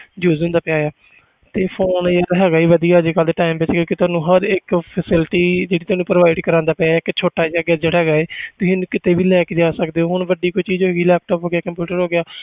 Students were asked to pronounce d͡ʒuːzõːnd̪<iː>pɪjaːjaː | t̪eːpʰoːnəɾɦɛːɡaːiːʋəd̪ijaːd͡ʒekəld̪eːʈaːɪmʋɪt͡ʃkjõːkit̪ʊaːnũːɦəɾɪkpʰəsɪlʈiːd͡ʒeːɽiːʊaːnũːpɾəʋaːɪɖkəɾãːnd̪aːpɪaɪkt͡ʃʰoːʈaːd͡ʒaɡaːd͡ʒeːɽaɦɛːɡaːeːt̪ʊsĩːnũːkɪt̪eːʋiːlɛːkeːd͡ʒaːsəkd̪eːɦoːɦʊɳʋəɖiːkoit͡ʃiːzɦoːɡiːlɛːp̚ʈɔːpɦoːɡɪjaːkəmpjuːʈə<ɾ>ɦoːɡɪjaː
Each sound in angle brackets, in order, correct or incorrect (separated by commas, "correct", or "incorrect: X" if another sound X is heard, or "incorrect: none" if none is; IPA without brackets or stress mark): incorrect: aː, correct